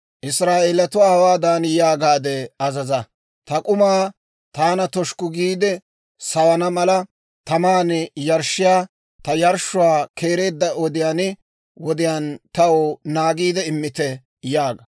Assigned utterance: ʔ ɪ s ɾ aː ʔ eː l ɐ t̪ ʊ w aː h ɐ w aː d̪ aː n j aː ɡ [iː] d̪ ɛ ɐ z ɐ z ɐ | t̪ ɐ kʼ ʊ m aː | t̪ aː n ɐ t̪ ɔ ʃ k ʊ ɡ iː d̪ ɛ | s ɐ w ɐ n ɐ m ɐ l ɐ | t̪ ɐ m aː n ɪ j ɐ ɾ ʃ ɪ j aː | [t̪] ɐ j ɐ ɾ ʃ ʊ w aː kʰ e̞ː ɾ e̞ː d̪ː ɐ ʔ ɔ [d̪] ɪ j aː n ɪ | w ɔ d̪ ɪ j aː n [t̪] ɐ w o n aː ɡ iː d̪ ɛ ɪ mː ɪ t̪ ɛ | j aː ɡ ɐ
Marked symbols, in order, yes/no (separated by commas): no, yes, yes, yes